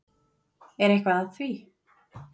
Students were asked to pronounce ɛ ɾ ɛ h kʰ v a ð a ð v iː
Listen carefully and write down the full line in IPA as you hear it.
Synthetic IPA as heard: ɛ ɾ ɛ h k v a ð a θ v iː